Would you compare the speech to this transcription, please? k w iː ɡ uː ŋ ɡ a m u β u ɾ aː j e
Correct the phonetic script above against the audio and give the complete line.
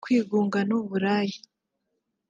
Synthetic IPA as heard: k w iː ɡ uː ŋ ɡ a n u β u ɾ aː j i